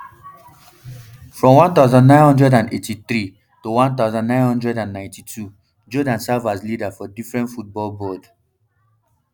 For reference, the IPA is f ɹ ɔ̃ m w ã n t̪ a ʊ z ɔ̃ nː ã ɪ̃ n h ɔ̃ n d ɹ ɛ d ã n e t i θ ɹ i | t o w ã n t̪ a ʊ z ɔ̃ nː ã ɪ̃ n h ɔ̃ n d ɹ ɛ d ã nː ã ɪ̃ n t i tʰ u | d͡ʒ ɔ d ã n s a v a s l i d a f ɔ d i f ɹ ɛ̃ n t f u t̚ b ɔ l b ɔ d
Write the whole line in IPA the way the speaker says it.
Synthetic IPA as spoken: f ɹ ɔ̃ m w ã n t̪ a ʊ z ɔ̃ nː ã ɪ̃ n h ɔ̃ n d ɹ ɛ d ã n e t i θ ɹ i | t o w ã n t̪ a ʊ z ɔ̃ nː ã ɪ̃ n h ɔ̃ n d ɹ ɛ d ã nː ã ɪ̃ n t i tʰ u | d͡ʒ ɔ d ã n s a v a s l i d a f ɔ d i f ɹ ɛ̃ n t f u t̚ b ɔ l b ɔ d